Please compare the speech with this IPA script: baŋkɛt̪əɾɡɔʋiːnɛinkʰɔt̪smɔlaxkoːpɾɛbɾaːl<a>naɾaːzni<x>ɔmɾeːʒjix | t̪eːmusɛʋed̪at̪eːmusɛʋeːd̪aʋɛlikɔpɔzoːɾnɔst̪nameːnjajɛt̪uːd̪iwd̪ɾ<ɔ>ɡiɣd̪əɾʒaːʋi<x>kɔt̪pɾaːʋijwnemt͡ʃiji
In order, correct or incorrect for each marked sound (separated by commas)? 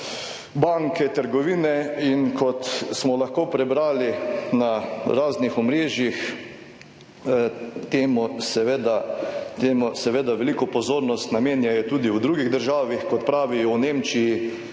incorrect, correct, incorrect, correct